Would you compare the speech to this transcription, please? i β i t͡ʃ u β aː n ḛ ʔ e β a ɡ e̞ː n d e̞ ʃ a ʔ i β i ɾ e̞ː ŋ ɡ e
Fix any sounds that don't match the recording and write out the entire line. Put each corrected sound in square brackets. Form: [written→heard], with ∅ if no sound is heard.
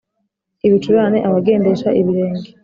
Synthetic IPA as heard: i β i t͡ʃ u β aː n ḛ ʔ [e→a] β a ɡ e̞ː n d e̞ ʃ a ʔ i β i ɾ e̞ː ŋ ɡ e